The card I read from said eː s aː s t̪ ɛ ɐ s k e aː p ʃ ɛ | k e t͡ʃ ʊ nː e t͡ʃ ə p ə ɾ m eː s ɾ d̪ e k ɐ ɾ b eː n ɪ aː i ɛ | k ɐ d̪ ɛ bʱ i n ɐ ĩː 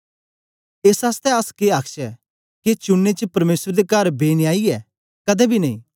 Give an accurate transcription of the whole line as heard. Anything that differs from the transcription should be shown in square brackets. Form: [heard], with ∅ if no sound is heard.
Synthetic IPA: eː s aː s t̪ ɛ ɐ s k e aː [k] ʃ ɛ | k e t͡ʃ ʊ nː e t͡ʃ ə p [ɐ] ɾ m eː s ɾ d̪ e k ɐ ɾ b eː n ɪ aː i ɛ | k ɐ d̪ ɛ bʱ i n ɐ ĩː